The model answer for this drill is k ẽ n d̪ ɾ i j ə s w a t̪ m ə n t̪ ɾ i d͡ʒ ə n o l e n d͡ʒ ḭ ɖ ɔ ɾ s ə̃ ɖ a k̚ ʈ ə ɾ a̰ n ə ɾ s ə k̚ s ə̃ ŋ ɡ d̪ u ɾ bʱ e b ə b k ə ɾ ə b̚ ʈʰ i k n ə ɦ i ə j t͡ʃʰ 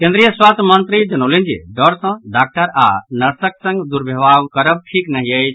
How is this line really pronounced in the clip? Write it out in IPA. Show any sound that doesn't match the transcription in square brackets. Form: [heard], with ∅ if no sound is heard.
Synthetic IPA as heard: k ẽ n d̪ ɾ i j ə s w a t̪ m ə n t̪ ɾ i d͡ʒ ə n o l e n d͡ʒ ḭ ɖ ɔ ɾ s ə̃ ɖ a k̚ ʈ ə ɾ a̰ n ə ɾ s ə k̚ s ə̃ ŋ ɡ d̪ u ɾ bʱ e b [a] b k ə ɾ ə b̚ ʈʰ i k n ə ɦ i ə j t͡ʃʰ